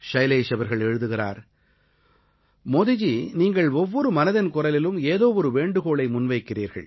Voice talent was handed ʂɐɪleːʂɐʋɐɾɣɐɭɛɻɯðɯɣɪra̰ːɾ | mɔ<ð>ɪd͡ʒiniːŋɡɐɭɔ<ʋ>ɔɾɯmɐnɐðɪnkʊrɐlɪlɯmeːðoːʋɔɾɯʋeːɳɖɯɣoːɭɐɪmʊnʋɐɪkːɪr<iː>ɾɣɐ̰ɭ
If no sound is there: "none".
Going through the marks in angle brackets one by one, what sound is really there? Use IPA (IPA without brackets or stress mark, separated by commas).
ð, ʋː, iː